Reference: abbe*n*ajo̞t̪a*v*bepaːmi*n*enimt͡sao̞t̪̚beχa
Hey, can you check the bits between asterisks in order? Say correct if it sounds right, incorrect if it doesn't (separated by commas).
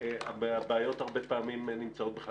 incorrect, incorrect, incorrect